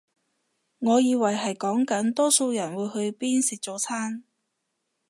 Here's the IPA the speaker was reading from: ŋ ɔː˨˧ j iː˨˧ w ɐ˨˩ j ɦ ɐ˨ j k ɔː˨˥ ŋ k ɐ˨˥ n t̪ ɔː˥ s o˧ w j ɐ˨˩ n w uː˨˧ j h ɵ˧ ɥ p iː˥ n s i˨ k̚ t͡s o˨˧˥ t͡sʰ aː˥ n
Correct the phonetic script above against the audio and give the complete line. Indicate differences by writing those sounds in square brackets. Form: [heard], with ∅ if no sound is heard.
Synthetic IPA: ŋ ɔː˨˧ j iː˨˧ w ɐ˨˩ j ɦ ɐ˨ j k ɔː˨˥ ŋ k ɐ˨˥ n t̪ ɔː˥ s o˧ w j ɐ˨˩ n w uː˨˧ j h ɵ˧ ɥ p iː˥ n s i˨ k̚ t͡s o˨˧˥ t͡sʰ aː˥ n